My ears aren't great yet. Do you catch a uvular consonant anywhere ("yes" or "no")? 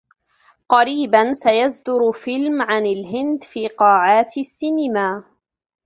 yes